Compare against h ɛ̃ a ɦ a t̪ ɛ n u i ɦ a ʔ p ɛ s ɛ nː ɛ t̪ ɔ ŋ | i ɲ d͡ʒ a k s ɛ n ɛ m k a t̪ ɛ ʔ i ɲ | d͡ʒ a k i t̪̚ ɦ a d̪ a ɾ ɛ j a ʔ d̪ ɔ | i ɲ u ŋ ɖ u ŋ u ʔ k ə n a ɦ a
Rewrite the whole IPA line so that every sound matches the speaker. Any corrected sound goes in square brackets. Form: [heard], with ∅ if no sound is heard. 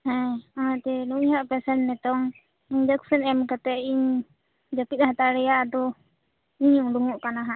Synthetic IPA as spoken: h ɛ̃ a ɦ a t̪ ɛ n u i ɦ a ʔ p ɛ s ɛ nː ɛ t̪ ɔ ŋ | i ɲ d͡ʒ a k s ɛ n ɛ m k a t̪ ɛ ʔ i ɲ | d͡ʒ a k i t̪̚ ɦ a [t̪] a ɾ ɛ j a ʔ d̪ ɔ | i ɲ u ŋ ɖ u ŋ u ʔ k [a] n a ɦ a